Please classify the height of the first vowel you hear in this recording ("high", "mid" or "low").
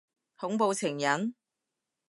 high